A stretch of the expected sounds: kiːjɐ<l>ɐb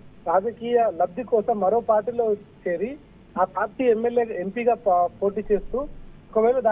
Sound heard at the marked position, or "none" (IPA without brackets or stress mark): l